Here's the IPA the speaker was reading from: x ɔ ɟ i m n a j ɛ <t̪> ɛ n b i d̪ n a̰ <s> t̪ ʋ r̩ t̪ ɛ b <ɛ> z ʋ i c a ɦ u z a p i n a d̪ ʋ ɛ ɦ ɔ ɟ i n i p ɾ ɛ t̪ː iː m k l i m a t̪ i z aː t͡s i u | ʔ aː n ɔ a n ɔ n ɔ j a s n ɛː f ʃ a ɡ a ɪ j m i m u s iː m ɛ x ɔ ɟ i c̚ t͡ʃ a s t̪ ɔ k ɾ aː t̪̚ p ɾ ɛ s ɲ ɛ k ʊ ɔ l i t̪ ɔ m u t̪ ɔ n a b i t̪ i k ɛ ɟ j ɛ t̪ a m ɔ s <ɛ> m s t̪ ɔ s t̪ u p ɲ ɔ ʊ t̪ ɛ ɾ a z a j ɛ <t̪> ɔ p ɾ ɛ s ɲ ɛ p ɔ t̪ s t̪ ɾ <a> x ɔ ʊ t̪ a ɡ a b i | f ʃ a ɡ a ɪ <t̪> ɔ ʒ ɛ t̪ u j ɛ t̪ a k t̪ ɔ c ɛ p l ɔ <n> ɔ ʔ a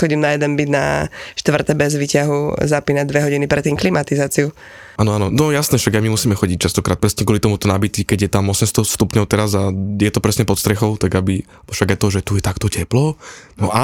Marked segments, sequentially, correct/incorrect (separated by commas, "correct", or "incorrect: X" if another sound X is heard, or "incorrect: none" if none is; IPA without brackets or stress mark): incorrect: d̪, incorrect: ʃ, correct, correct, correct, incorrect: ɛ, correct, correct